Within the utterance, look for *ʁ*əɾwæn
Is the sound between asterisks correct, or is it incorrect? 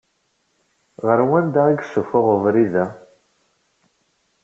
correct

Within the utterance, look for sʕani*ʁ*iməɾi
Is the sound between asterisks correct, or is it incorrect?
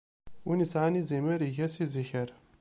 incorrect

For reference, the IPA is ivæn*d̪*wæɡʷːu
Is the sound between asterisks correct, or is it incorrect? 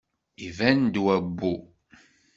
correct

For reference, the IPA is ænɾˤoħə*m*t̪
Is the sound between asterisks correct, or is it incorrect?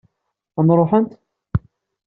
incorrect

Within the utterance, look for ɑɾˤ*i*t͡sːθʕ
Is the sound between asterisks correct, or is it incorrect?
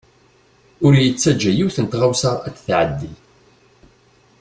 incorrect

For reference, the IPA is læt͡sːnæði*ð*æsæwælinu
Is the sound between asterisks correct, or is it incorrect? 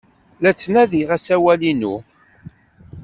incorrect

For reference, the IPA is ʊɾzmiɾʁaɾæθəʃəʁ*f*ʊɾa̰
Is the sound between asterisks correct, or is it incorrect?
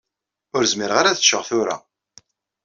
incorrect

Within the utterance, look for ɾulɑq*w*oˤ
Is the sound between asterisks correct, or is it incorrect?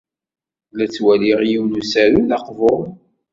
incorrect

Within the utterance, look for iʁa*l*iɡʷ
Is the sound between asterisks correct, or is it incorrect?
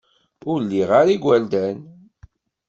incorrect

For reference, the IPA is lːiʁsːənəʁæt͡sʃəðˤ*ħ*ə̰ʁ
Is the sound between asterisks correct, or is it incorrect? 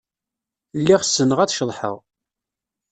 correct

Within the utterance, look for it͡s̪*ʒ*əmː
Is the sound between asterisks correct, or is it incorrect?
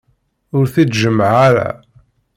correct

